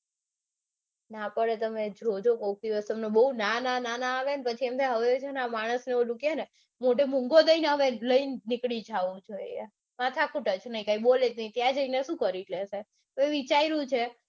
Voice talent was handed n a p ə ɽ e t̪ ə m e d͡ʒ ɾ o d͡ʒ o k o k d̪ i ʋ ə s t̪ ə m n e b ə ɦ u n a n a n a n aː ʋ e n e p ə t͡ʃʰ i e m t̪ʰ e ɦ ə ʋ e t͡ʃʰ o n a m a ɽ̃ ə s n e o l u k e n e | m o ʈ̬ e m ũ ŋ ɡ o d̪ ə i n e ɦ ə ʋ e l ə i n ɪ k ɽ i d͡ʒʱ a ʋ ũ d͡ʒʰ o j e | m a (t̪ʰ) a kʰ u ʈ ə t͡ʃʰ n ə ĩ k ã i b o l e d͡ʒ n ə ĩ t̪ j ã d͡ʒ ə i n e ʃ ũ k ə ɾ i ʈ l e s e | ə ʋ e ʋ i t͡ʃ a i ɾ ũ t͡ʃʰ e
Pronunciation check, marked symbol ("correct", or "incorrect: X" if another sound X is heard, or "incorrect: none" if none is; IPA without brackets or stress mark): correct